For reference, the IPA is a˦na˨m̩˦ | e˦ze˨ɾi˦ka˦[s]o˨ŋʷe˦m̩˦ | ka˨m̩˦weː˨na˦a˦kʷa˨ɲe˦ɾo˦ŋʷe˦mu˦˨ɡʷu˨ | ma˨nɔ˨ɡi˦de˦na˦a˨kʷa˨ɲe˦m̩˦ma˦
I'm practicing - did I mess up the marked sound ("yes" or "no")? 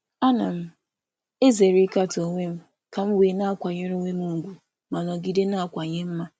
yes